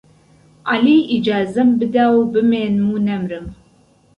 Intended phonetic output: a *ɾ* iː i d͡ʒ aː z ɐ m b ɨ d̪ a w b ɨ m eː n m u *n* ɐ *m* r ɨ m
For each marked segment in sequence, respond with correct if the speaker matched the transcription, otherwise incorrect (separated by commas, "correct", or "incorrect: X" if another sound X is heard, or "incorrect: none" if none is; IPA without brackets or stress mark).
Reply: incorrect: l, correct, correct